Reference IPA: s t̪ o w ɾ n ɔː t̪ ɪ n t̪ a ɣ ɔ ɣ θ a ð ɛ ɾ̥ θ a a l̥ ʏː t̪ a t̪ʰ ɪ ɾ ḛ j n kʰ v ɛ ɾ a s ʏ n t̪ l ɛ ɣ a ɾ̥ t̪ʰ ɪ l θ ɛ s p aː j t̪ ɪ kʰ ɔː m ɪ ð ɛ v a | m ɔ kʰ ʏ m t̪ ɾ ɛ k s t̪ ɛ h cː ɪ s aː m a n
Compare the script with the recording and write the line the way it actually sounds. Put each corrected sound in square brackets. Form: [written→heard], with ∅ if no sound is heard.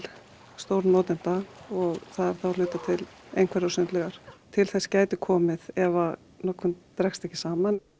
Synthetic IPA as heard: s t̪ o w ɾ n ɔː t̪ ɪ n t̪ a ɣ ɔ ɣ θ a ð ɛ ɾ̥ θ a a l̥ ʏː t̪ a t̪ʰ ɪ [ɾ→l] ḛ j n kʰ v ɛ ɾ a s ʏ n t̪ l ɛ ɣ a ɾ̥ t̪ʰ ɪ l θ ɛ s [p→c] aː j t̪ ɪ kʰ ɔː m ɪ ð ɛ v a | [m→n] ɔ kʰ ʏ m t̪ ɾ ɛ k s t̪ ɛ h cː ɪ s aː m a n